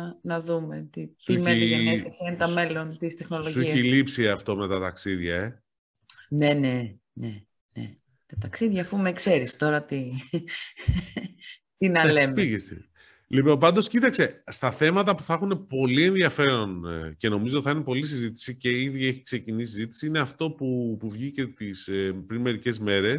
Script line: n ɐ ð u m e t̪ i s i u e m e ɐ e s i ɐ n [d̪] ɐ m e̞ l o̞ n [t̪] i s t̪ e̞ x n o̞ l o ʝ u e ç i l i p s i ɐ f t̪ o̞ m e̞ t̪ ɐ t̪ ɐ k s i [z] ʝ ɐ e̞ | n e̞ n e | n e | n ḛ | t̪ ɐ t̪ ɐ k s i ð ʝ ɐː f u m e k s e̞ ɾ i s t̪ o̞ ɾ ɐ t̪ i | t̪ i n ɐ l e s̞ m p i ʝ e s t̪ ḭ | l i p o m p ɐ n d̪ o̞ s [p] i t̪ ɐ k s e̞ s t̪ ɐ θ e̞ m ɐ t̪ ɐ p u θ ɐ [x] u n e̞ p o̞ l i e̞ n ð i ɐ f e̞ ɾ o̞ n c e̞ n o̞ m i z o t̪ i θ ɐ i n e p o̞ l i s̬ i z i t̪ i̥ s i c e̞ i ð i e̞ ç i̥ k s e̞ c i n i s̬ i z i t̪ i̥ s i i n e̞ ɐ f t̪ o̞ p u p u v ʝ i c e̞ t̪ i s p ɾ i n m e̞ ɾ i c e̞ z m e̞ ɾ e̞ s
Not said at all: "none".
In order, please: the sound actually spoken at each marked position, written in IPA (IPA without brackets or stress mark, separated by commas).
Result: t̪, t̪, ð, c, x